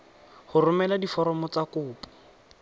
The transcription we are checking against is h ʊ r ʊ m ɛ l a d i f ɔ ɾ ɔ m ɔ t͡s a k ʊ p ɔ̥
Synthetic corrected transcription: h ʊ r ʊ m ɛ l a d i f ɔ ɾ ɔ m ɔ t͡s a k ʊː p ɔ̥

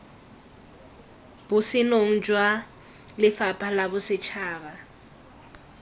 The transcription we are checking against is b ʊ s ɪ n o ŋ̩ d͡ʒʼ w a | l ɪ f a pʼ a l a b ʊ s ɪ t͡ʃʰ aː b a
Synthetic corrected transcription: b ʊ s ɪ n o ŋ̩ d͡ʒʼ w a | l ɪ f a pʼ a l a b ʊ s ɪ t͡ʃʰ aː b a

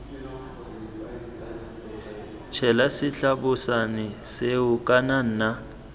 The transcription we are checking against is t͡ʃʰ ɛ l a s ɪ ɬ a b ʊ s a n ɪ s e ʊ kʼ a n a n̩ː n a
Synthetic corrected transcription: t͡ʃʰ ɛ l a s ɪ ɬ a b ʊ s a n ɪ s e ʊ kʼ a n a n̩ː n a

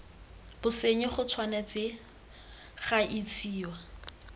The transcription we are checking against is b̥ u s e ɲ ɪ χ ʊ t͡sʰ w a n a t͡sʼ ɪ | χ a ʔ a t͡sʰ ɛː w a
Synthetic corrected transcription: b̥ ʊ s e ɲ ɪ χ ʊ t͡sʰ w a n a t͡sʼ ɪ | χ a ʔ i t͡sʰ iː w a

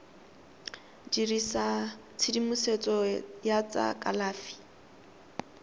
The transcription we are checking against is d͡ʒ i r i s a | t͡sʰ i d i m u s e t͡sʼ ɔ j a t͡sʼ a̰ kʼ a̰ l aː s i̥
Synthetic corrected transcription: d͡ʒ i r i s a | t͡sʰ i d i m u s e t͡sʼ ɔ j a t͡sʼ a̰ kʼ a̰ l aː f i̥

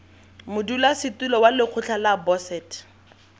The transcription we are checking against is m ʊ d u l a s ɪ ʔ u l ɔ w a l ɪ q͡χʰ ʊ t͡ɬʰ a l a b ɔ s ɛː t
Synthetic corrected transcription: m ʊ d u l a s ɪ t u l ɔ w a l ɪ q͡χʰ ʊ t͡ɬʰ a l a b ɔ s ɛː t

